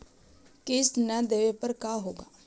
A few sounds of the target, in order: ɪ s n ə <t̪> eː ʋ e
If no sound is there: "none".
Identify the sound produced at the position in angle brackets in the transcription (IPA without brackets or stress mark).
d̪